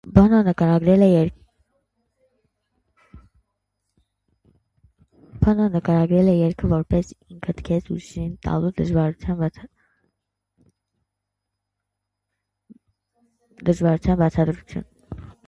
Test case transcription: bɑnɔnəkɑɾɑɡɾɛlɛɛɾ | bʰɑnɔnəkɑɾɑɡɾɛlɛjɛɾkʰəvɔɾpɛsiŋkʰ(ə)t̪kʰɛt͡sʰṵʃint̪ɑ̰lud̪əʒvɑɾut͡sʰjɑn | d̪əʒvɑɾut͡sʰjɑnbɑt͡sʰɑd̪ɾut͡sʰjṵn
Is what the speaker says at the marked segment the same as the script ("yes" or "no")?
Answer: yes